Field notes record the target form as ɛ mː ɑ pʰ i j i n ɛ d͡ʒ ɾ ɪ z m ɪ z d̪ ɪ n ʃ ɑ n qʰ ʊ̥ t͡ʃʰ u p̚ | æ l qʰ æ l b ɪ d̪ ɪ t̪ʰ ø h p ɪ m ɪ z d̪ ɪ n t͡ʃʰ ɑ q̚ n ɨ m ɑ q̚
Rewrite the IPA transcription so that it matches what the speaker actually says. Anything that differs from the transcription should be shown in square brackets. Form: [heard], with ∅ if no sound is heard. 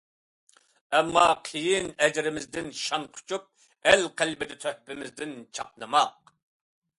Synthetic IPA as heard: ɛ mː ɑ [qʰ] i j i n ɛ d͡ʒ ɾ ɪ [∅] m ɪ z d̪ ɪ n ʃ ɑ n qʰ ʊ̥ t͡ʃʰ u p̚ | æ l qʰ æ l b ɪ d̪ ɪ t̪ʰ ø h p ɪ m ɪ z d̪ ɪ n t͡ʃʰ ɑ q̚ n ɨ m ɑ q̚